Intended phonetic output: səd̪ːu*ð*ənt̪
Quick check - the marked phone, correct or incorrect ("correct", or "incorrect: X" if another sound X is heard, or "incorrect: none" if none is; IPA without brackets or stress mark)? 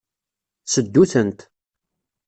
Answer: incorrect: θ